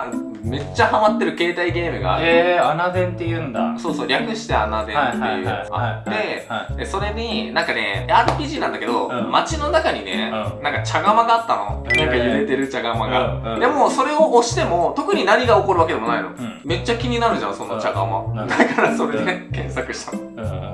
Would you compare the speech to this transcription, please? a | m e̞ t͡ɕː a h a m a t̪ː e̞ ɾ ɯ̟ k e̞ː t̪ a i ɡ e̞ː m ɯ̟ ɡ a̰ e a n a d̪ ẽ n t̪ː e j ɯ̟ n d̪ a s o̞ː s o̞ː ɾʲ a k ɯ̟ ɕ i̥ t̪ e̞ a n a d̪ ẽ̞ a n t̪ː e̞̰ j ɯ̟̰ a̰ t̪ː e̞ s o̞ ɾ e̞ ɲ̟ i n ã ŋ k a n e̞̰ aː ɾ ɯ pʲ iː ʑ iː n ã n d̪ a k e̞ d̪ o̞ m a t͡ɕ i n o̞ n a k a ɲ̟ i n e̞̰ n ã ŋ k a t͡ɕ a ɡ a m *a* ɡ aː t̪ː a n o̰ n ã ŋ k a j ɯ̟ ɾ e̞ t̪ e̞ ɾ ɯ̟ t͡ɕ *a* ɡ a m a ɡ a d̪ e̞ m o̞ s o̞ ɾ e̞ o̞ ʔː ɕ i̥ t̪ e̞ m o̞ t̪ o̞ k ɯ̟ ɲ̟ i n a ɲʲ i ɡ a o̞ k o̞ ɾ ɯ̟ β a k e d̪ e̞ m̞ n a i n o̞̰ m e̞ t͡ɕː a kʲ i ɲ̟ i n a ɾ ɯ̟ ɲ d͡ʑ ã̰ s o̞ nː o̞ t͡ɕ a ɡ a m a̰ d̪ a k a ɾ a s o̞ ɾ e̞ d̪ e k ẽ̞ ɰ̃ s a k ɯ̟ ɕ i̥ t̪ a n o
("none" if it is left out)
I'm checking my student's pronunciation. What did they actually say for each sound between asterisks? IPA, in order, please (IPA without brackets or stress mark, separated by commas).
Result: a, a